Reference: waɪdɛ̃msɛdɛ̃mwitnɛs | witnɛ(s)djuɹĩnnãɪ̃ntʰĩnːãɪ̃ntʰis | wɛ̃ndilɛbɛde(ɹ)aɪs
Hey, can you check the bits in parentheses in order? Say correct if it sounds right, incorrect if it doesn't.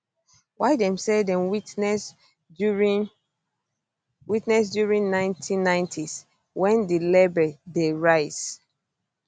correct, correct

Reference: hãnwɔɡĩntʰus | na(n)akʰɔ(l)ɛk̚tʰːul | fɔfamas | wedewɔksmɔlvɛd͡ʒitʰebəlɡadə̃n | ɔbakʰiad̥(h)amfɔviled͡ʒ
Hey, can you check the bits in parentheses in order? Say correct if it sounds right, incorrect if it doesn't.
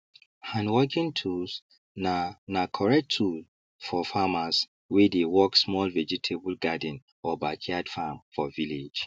correct, incorrect, incorrect

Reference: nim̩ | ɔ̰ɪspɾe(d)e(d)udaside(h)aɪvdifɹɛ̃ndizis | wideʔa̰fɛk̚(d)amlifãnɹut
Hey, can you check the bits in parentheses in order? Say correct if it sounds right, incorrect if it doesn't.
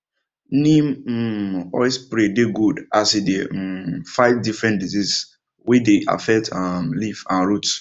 correct, incorrect, incorrect, incorrect

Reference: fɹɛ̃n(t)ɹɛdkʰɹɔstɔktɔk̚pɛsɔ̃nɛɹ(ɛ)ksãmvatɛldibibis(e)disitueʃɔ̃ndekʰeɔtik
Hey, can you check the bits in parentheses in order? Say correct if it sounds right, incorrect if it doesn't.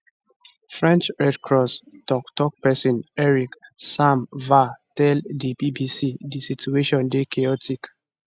incorrect, incorrect, incorrect

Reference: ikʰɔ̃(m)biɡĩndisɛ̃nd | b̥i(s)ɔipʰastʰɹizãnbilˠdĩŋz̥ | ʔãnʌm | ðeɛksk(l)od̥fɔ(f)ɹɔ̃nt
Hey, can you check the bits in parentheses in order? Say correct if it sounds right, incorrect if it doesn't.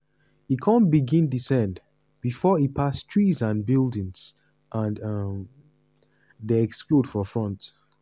incorrect, incorrect, correct, correct

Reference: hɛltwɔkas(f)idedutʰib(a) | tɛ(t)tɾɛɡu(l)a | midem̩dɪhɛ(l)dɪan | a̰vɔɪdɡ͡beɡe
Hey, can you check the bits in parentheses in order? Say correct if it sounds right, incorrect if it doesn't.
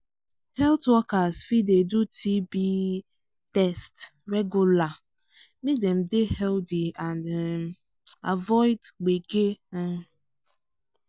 correct, incorrect, incorrect, correct, correct

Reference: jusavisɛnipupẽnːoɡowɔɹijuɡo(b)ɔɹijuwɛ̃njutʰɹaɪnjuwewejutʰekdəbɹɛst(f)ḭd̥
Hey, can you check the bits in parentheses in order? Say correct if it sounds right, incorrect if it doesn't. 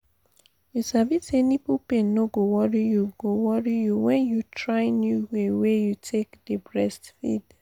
incorrect, correct

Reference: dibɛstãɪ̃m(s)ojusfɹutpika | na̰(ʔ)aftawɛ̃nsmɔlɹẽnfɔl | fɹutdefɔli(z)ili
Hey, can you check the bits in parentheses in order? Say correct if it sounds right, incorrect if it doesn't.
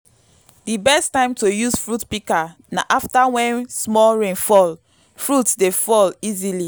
incorrect, correct, correct

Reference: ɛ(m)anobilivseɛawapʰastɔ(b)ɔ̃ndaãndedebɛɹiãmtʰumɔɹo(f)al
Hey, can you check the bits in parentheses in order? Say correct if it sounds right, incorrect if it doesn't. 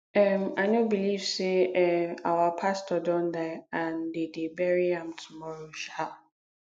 correct, incorrect, incorrect

